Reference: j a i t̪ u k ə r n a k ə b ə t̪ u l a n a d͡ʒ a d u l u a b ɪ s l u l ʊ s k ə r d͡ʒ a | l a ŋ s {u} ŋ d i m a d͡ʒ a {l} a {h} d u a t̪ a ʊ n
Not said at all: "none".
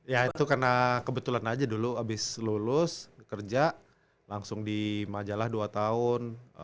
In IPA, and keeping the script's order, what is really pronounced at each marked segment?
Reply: ʊ, l, h

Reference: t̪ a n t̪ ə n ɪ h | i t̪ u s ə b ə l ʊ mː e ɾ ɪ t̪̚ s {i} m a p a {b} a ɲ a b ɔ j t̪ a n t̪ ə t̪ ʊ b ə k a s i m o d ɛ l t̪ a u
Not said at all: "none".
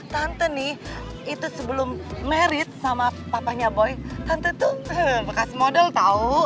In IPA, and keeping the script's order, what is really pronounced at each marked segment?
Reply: a, p

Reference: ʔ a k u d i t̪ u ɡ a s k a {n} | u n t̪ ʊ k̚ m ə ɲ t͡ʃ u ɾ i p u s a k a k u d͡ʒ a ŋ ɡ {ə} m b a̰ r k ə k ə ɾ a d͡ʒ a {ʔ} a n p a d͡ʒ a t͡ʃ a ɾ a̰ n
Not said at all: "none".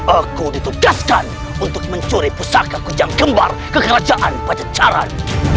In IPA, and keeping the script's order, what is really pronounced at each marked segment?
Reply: n, ə, ʔ

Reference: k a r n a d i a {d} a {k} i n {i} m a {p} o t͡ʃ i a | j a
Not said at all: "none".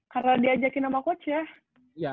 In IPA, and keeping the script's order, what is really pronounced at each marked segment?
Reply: d͡ʒ, k, a, k

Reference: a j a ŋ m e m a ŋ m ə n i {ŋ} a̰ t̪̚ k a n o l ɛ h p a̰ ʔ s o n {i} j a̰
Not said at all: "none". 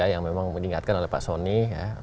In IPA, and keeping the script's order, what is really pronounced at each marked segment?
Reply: ŋ, i

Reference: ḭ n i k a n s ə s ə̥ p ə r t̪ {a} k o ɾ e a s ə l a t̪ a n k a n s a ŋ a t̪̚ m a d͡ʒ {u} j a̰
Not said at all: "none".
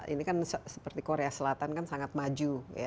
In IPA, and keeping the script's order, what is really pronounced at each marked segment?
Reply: i, u

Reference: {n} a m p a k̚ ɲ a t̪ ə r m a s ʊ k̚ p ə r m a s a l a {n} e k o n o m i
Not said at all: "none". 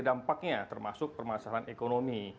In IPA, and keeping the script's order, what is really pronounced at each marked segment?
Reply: d, n

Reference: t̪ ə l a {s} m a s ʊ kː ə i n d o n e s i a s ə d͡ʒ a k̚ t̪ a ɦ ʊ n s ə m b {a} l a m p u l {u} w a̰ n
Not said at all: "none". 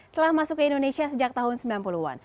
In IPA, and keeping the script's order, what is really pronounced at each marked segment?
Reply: h, i, u

